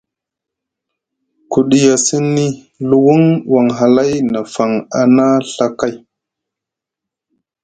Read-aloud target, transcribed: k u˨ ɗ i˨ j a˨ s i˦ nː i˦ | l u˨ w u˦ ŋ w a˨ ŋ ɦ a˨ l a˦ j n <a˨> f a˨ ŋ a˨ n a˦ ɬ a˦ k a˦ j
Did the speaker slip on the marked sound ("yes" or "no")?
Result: no